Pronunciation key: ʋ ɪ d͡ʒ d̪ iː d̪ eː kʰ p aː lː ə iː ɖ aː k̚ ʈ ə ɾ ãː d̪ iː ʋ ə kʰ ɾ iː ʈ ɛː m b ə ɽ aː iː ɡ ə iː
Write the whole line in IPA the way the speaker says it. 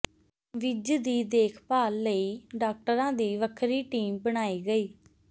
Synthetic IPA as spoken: ʋ ɪ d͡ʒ d̪ iː d̪ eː kʰ p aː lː ə iː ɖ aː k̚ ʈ ə ɾ ãː d̪ iː ʋ ə kʰ ɾ iː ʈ iː m b ə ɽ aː iː ɡ ə iː